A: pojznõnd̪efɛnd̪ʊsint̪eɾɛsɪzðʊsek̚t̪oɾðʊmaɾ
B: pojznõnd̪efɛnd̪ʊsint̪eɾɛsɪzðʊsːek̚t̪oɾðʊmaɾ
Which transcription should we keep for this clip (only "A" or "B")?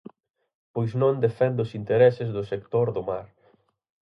A